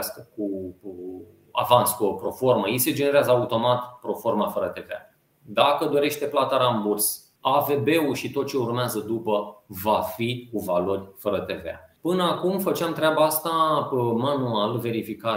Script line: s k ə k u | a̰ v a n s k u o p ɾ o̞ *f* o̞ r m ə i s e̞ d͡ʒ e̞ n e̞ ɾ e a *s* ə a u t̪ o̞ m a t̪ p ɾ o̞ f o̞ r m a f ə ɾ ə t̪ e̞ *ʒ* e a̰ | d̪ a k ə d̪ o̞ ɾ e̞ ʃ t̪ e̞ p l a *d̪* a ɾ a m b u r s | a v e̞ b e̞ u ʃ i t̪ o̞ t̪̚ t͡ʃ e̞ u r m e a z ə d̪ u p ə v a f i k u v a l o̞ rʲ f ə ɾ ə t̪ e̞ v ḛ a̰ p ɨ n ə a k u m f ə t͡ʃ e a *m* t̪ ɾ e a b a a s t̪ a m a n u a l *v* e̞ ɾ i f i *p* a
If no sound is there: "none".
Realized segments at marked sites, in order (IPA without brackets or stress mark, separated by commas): f, z, v, t̪, m, v, k